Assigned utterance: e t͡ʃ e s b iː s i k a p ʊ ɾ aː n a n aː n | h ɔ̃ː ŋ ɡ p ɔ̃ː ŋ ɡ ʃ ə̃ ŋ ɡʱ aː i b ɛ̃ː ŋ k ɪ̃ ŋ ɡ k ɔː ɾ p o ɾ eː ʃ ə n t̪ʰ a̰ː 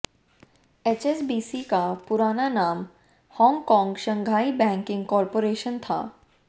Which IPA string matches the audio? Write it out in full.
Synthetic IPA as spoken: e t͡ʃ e s b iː s i k a p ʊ ɾ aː n a n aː m | h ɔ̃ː ŋ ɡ k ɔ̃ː ŋ ɡ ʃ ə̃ ŋ ɡʱ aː i b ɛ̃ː ŋ k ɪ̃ ŋ ɡ k ɔː ɾ p o ɾ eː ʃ ə n t̪ʰ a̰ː